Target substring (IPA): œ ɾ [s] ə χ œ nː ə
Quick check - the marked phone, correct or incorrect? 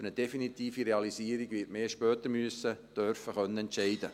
incorrect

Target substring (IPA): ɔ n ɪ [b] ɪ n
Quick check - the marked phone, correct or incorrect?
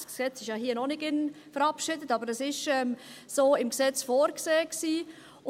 incorrect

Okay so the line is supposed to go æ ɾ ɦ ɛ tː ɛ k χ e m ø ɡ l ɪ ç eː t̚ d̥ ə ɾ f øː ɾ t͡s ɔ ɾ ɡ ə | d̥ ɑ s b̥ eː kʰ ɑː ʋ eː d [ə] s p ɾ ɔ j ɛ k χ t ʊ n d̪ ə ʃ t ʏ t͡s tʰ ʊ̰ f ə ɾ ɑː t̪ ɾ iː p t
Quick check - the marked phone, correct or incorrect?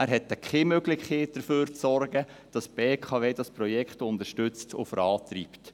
incorrect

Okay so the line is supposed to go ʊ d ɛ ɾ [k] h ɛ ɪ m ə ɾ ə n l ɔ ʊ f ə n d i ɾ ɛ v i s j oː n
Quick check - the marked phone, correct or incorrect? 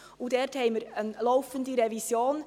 incorrect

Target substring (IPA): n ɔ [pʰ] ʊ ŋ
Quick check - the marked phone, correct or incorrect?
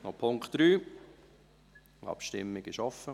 correct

